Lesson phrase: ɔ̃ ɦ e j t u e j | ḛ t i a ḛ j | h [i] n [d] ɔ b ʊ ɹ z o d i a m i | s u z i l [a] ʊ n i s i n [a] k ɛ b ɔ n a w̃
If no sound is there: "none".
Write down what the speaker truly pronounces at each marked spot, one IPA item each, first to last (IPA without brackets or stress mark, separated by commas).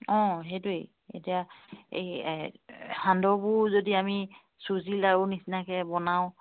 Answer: a, d, a, a